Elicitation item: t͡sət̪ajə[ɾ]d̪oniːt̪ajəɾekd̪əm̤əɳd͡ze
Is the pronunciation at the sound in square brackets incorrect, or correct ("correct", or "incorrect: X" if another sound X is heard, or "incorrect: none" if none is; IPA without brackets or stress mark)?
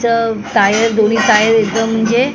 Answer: correct